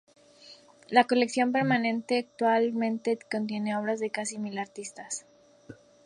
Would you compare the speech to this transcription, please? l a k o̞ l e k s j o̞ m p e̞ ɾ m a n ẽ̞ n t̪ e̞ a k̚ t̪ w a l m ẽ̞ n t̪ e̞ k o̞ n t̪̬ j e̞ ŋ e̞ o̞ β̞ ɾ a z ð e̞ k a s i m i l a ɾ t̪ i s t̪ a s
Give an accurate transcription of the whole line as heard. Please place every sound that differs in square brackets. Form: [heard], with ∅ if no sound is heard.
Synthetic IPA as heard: l a k o̞ l e k s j o̞ m p e̞ ɾ m a n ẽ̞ n t̪ e̞ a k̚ t̪ w a l m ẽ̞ n t̪ e̞ k o̞ n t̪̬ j e̞ [n] e̞ o̞ β̞ ɾ a z ð e̞ k a s i m i l a ɾ t̪ i s t̪ a s